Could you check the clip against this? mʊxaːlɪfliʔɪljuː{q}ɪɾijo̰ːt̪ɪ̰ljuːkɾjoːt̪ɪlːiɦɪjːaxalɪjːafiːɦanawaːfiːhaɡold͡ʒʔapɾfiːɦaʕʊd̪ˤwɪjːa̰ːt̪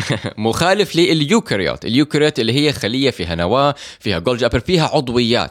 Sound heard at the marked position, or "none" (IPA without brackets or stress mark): k